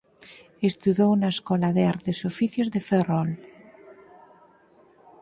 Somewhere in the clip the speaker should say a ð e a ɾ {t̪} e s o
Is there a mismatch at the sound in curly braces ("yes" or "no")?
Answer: no